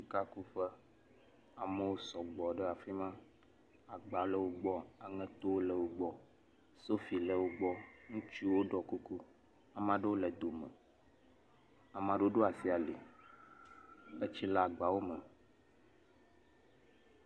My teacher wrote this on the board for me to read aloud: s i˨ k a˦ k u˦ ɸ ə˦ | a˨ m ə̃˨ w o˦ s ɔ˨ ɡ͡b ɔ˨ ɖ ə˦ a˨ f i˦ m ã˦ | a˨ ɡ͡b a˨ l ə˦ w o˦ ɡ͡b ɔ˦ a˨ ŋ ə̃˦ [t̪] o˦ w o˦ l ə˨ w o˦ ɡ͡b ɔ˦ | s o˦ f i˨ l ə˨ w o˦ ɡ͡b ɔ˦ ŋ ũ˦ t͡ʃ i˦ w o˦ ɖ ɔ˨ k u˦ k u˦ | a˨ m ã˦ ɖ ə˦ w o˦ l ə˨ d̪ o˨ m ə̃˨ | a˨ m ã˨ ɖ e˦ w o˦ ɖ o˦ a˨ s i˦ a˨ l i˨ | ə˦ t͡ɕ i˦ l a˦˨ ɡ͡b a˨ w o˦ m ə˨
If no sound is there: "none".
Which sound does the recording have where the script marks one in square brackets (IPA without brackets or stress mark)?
t̪